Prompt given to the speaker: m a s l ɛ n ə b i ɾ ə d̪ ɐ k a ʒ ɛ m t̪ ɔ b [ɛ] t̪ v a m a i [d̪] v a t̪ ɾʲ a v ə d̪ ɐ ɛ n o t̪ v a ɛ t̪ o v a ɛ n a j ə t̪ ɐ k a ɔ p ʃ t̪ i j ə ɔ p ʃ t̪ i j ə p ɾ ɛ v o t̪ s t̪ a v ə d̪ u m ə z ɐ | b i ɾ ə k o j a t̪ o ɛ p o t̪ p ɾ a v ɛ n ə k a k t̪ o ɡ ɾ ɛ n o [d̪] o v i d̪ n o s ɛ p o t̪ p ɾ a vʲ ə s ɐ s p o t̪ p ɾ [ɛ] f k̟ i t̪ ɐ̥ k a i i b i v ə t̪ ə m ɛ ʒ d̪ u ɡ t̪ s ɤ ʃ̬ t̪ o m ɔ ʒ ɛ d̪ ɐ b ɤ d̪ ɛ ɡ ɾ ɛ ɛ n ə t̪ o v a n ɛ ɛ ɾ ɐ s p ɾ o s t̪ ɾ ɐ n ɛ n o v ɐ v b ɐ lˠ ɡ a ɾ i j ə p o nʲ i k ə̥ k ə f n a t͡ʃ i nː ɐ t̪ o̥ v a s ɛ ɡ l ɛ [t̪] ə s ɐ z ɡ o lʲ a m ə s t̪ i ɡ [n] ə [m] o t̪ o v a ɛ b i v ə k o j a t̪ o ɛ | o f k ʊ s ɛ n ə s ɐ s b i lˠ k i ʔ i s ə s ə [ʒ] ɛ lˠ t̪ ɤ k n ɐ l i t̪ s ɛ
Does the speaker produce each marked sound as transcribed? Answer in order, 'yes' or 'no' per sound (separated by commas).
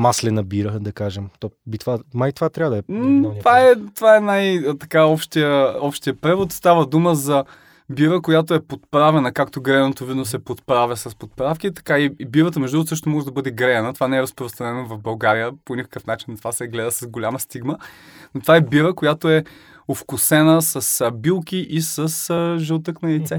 no, no, no, no, no, no, no, yes